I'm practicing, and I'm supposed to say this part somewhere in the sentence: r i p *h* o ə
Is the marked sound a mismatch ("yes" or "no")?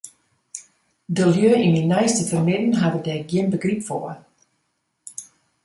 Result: yes